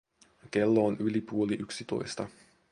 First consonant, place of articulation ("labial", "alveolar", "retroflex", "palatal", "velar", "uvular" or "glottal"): velar